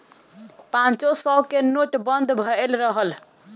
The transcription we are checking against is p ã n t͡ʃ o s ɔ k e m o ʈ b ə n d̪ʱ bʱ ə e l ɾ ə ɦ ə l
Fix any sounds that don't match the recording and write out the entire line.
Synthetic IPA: p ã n t͡ʃ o s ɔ k e n o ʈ b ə n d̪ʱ bʱ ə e l ɾ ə ɦ ə l